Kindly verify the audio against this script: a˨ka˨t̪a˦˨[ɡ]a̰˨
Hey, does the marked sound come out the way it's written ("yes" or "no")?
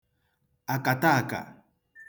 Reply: no